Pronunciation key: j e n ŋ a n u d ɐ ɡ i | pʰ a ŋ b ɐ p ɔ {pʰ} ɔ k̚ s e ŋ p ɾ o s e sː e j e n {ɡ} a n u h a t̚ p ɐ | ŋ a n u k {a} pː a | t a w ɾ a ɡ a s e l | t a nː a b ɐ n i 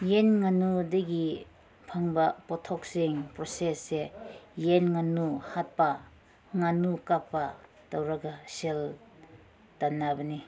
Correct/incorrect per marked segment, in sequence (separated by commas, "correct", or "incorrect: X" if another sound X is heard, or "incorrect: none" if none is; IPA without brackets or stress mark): incorrect: tʰ, incorrect: ŋ, correct